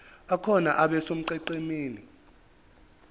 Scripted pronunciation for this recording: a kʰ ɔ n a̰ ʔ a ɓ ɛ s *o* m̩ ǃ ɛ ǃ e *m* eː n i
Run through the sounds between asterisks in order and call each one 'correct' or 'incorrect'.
correct, correct

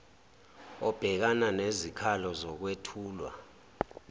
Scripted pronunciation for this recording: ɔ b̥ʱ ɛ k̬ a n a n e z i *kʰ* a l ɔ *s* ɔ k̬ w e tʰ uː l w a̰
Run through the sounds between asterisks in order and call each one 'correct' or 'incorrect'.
correct, incorrect: z

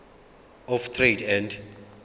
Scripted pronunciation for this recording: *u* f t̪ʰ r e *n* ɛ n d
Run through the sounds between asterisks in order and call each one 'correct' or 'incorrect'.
incorrect: ɔ, incorrect: d

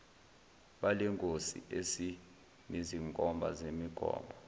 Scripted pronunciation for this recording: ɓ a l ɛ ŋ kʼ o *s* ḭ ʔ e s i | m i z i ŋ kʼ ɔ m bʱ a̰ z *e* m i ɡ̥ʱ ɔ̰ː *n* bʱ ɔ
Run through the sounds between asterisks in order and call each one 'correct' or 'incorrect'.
correct, correct, incorrect: m

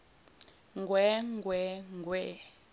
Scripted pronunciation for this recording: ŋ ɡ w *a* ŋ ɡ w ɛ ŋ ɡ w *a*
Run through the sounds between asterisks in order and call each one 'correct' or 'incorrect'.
incorrect: ɛ, incorrect: ɛ

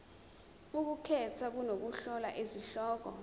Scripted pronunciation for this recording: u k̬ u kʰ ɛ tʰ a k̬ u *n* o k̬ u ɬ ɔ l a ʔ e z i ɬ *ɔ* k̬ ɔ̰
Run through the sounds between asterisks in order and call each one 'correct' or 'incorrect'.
correct, incorrect: ɔː

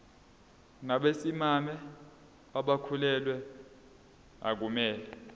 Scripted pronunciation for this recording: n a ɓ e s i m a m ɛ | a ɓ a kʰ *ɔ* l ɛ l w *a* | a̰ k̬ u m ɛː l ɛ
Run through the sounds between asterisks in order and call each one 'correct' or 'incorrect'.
incorrect: u, incorrect: ɛ

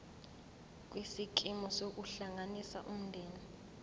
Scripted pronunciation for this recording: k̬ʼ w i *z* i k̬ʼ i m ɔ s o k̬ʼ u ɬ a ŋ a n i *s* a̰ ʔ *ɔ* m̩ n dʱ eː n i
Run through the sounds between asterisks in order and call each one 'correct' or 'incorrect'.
incorrect: s, correct, incorrect: u

